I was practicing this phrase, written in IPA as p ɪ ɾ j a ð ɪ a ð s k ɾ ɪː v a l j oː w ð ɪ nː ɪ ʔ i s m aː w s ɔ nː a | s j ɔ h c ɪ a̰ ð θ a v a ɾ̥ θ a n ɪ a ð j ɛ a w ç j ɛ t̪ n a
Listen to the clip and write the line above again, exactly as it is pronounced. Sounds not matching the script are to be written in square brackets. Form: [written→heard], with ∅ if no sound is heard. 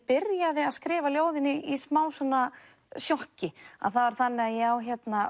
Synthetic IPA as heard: p ɪ ɾ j a ð ɪ a ð s k ɾ ɪː v a l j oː w ð ɪ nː ɪ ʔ i s m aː w s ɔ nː a | s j ɔ h c ɪ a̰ ð θ a v a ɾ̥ θ a [n→nː] ɪ a ð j ɛ a w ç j ɛ t̪ n a